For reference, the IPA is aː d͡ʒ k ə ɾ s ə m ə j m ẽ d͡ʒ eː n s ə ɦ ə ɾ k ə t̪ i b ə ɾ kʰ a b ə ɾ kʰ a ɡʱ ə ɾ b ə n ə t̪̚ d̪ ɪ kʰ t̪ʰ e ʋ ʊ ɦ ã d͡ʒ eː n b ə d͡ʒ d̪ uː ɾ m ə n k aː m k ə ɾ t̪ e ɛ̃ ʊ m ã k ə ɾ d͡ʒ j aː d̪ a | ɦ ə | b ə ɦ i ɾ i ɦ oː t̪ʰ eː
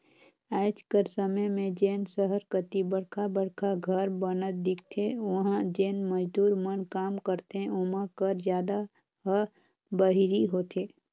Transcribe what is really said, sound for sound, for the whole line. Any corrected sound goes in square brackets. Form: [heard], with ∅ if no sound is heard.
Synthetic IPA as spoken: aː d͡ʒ k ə ɾ s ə m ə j m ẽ d͡ʒ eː n s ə ɦ ə ɾ k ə t̪ i b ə [ɽ] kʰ a b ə [ɽ] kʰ a ɡʱ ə ɾ b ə n ə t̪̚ d̪ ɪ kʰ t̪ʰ e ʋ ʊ ɦ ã d͡ʒ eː n [m] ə d͡ʒ d̪ uː ɾ m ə n k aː m k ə ɾ t̪ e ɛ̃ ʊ m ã k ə ɾ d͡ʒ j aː d̪ a | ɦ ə | b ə ɦ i ɾ i ɦ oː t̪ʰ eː